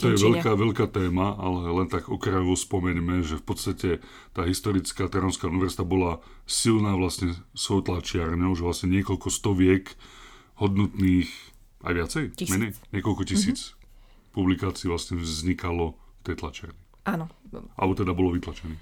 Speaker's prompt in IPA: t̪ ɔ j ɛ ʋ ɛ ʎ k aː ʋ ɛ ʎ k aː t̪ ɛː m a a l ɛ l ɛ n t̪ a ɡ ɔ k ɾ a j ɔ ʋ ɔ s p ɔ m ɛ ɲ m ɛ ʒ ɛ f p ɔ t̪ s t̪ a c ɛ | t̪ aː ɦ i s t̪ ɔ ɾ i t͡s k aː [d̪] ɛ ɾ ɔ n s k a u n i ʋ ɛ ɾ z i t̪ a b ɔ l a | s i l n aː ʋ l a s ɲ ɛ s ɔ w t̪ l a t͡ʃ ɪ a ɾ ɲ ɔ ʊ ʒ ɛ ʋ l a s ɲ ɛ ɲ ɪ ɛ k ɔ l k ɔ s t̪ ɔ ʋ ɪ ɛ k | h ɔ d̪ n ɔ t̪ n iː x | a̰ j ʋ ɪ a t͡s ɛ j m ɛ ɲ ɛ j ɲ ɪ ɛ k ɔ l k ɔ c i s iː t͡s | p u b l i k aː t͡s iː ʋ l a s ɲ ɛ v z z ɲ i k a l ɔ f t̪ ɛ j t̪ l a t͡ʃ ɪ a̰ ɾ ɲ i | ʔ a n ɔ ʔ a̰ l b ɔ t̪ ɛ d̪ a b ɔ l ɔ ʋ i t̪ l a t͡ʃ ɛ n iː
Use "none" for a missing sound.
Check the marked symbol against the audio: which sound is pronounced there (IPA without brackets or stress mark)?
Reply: t̪